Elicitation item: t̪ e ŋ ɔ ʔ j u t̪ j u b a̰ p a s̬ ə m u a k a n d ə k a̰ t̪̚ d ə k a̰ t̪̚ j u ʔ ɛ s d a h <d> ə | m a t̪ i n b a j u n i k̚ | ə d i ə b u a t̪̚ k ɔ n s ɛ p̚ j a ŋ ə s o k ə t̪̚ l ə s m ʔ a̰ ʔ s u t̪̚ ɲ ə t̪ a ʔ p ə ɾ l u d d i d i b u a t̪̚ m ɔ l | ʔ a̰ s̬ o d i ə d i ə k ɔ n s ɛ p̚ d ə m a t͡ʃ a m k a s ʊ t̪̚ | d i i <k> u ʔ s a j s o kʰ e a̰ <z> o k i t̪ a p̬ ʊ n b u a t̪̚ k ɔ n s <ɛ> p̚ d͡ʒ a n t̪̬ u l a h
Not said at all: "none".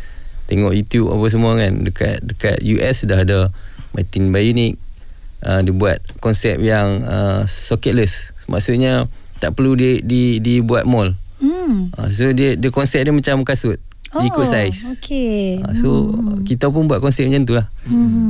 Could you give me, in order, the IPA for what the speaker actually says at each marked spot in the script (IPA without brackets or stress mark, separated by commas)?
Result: d, k, s, ɛ